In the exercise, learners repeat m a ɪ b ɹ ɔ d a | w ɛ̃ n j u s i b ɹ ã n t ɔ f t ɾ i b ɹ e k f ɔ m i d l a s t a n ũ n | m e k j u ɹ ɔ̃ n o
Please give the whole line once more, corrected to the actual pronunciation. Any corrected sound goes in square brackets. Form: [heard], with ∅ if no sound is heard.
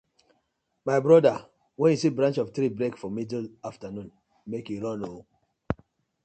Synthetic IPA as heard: m a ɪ b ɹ ɔ d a | w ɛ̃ n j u s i b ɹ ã n [t͡ʃ] ɔ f t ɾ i b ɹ e k f ɔ m i d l a [f] t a n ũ n | m e k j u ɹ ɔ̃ n o